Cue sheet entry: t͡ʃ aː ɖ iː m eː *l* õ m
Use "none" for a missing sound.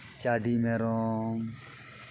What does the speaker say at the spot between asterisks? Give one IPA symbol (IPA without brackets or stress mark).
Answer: ɾ